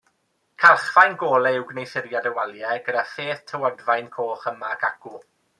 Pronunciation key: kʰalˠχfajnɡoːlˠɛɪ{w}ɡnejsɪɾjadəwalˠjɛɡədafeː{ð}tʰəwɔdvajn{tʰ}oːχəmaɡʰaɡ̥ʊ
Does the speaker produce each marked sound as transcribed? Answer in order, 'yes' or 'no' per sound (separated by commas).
yes, no, no